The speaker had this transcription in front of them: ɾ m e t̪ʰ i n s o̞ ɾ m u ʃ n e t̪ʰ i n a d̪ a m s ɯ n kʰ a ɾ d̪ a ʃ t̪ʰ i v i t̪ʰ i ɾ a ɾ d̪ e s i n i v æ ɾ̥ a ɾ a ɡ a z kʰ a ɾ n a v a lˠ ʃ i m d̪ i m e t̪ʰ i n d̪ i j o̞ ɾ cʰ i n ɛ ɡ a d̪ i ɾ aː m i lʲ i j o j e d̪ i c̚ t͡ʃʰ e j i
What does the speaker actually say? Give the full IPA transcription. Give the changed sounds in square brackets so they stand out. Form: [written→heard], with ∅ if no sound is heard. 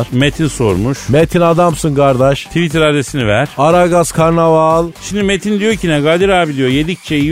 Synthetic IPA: ɾ m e t̪ʰ i n s o̞ ɾ m u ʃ [n→m] e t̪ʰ i n a d̪ a m s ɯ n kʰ a ɾ d̪ a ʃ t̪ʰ i v i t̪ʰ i ɾ a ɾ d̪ e s i n i v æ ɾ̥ a ɾ a ɡ a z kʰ a ɾ n a v a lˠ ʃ i m d̪ i m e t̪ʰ i n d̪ i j o̞ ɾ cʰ i n ɛ ɡ a d̪ i ɾ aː [m→b] i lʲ i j o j e d̪ i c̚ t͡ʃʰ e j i